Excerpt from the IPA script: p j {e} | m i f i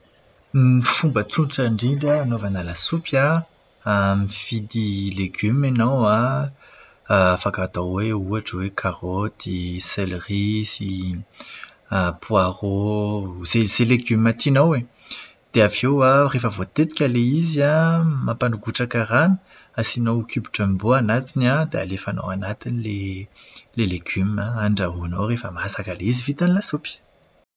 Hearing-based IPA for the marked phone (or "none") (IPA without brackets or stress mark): a